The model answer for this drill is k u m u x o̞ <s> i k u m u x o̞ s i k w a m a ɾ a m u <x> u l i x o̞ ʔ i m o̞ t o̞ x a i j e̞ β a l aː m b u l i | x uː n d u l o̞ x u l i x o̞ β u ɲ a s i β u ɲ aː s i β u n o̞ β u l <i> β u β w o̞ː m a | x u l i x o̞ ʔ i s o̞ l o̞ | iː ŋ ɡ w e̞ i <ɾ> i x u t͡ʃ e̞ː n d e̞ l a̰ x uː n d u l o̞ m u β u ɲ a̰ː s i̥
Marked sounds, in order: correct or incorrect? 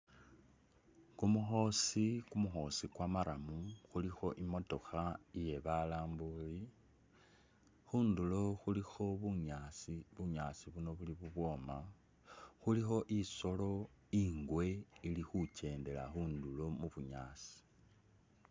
correct, correct, correct, incorrect

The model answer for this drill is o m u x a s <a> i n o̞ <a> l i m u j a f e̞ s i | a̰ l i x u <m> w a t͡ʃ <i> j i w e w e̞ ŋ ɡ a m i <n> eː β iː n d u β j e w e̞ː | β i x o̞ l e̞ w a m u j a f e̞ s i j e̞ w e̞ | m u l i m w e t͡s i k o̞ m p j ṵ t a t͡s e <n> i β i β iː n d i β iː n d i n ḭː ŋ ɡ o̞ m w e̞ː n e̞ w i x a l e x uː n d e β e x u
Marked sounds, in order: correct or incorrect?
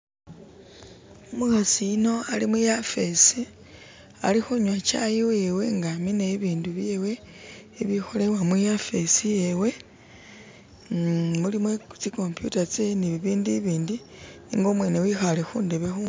incorrect, correct, incorrect, incorrect, correct, correct

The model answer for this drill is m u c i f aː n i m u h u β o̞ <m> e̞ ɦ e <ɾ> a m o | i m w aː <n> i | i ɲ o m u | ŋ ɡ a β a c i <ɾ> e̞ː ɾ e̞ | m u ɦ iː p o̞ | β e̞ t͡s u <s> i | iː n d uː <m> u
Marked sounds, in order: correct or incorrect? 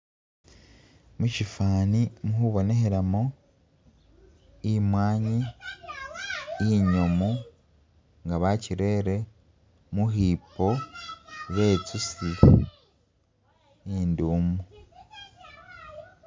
incorrect, correct, incorrect, correct, correct, correct

